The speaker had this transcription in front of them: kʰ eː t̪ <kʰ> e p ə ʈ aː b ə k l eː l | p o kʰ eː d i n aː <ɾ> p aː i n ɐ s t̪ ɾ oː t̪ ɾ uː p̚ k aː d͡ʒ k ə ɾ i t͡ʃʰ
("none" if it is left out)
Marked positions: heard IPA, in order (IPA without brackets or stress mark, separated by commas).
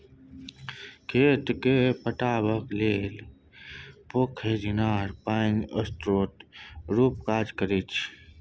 k, ɾ